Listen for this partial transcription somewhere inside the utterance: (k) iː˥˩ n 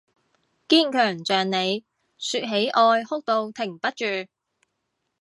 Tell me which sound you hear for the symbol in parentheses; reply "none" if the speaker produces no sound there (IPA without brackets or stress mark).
k